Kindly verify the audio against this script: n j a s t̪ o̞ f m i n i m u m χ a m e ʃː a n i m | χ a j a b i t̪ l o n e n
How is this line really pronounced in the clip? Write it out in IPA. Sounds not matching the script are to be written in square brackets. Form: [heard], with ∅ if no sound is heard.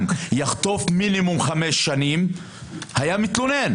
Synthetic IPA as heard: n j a [χ] t̪ o̞ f m i n i m u m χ a m e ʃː a n i m | [h] a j a [m] i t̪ l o n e n

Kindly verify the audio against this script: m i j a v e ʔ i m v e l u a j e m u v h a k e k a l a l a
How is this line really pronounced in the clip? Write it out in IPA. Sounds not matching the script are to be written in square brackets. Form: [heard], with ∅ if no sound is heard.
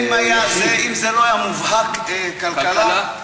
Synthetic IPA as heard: m [a] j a [z] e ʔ i m [z] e l [o] a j [a] m u v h a k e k a l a l a

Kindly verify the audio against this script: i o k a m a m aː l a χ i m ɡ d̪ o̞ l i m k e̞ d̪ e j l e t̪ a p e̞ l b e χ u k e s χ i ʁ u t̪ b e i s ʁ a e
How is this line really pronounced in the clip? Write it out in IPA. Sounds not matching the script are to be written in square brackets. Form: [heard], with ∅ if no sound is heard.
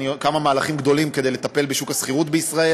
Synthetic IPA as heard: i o k a m a m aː l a χ i m ɡ d̪ o̞ l i m k e̞ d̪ e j l e t̪ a p e̞ l b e [ʃ] u k [a] s χ i ʁ u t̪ b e i s ʁ a e

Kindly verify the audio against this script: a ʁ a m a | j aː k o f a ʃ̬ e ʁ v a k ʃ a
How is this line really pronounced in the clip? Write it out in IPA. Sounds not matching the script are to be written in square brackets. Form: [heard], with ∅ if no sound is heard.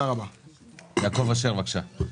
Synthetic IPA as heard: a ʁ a [b] a | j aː k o [v] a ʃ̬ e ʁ v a k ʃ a

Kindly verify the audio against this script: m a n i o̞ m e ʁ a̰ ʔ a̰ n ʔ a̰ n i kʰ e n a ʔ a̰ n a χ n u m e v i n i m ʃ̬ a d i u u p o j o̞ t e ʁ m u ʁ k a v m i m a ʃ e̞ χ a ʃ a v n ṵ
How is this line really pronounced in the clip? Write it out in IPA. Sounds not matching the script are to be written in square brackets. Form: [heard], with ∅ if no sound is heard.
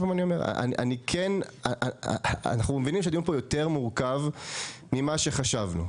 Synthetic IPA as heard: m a n i o̞ m e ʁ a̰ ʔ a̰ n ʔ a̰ n i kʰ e n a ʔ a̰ n a χ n u m e v i n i m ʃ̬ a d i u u p o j o̞ t e ʁ m u ʁ k a v m i m a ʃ e̞ χ a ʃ a v n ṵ

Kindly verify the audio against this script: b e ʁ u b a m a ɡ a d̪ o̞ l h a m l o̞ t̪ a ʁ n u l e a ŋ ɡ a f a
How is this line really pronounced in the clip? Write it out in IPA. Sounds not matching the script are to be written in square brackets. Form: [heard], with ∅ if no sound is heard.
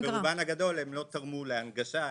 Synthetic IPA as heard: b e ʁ u b a [n] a ɡ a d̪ o̞ l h [e] m l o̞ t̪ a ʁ [m] u l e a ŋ ɡ a [ʃ] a

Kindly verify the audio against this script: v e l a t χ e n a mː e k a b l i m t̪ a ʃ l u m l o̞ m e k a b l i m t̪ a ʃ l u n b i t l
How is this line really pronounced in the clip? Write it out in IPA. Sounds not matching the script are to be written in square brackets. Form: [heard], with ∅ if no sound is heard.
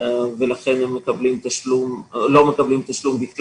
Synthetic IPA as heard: v e l a [∅] χ e n [e] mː e k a b l i m t̪ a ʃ l u m l o̞ m e k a b l i m t̪ a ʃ l u [m] b i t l

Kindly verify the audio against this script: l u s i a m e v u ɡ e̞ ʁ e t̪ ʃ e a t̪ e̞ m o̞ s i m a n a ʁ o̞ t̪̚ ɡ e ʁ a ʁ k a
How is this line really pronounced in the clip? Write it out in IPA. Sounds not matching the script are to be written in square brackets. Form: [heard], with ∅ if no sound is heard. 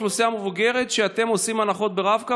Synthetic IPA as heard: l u s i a m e v u ɡ e̞ ʁ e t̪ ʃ e a t̪ e̞ m o̞ s i m a n a [χ] o̞ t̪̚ [b] e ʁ a [v] k a

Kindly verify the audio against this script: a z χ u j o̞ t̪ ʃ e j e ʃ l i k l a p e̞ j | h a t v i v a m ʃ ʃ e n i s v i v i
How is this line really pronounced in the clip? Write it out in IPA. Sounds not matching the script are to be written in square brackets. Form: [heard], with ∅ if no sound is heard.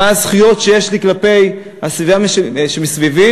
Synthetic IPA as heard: a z χ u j o̞ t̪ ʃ e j e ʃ l i k l a p e̞ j | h a [s] v i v a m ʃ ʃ e [m] i s v i v i

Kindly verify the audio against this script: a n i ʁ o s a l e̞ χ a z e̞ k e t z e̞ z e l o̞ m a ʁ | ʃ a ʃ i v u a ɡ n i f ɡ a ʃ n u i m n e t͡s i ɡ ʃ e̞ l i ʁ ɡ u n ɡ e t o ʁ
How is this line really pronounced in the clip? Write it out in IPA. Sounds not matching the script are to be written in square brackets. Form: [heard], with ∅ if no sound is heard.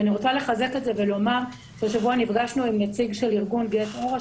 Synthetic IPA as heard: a n i ʁ o [t͡s] a l e̞ χ a z e̞ k e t z e̞ [v] e l o̞ m a ʁ | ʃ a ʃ [a] v u a [∅] n i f ɡ a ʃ n u i m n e t͡s i ɡ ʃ e̞ l i ʁ ɡ u n ɡ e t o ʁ

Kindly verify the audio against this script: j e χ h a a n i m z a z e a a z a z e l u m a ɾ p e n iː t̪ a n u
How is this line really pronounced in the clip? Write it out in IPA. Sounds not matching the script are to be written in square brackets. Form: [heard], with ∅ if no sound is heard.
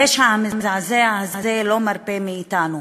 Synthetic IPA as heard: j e [ʃ] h a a [m] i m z a z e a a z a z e l [o] m a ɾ p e [m] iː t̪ a n u

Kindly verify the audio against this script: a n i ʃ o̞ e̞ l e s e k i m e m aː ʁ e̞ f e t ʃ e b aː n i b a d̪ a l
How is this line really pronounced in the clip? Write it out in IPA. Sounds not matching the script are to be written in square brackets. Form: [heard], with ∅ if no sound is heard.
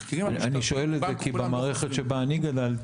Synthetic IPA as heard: a n i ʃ o̞ e̞ l e [z] e k i [b] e m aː ʁ e̞ [χ] e t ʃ e b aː n i [ɡ] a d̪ a l

